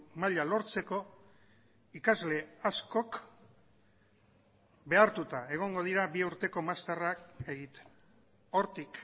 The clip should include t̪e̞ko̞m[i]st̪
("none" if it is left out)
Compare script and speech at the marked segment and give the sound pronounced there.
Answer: a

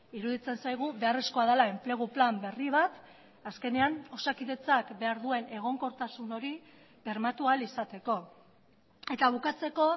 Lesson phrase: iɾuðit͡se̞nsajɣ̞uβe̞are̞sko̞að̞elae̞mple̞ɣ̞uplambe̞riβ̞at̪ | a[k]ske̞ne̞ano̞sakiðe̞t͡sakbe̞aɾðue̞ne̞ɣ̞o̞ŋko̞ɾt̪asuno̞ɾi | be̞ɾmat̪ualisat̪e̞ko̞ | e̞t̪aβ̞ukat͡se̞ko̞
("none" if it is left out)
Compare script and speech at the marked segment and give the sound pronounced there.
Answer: none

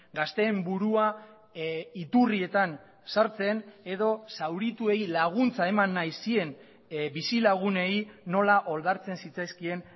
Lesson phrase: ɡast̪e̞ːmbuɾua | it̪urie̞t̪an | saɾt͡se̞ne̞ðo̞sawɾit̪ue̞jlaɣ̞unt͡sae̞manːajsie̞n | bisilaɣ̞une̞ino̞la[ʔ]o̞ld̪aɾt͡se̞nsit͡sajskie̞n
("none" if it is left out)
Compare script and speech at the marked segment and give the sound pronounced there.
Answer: ʔ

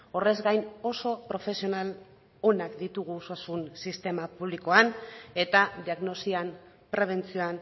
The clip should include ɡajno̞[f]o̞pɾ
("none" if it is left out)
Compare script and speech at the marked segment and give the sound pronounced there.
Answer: s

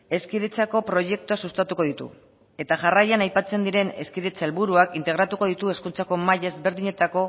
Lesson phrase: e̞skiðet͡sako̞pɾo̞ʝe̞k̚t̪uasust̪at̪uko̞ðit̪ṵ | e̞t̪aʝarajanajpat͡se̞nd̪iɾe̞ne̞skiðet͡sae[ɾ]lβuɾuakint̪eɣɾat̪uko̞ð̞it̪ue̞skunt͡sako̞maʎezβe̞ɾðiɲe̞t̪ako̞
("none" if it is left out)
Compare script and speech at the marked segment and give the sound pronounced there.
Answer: none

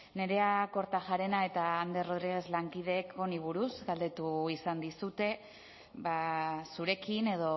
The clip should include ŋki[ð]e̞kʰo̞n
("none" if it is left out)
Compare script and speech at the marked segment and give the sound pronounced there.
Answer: ð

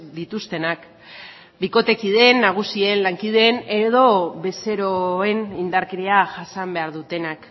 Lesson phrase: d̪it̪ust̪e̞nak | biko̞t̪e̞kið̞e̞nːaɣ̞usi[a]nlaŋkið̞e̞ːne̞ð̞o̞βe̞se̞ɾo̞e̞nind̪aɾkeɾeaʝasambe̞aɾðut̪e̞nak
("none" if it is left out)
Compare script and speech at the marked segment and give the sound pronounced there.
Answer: e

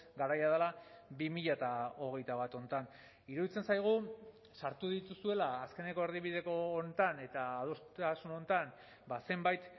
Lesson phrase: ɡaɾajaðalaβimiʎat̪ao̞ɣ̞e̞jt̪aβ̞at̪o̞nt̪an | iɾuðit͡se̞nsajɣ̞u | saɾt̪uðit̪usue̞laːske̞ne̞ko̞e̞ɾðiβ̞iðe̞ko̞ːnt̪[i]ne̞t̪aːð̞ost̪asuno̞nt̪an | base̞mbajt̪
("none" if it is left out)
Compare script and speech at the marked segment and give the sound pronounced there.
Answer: a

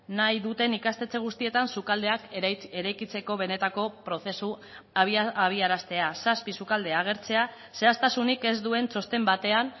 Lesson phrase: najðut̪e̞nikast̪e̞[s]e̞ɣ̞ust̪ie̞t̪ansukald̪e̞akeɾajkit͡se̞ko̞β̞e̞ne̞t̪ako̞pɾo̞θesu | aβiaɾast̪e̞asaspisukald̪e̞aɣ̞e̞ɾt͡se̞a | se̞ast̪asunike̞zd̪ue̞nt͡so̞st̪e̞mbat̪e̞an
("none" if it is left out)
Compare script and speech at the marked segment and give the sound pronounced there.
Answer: t͡s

